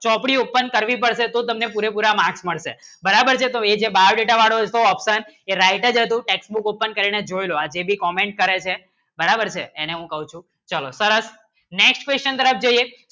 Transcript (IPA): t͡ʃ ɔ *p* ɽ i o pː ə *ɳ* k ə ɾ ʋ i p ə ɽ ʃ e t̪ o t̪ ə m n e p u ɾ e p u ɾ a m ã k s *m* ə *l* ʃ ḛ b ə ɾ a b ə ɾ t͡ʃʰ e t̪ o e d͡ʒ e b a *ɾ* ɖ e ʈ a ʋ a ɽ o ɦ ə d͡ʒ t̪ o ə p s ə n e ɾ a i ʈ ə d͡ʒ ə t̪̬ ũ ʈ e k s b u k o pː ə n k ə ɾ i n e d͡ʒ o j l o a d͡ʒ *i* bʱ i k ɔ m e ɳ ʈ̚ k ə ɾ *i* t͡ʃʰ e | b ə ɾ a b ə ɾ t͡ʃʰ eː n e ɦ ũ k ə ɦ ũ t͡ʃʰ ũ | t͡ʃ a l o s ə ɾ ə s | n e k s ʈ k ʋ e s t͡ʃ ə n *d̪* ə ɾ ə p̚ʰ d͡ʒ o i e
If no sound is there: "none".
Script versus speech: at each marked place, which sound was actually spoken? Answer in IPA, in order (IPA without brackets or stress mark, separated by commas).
p, n, m, ɭ, ɾ, e, e, t̪